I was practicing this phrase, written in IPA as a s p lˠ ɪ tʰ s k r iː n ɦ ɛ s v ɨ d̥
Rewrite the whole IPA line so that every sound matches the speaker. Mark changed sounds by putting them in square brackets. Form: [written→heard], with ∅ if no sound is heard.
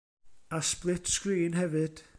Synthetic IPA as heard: a s p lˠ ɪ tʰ s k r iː n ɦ ɛ [s→∅] v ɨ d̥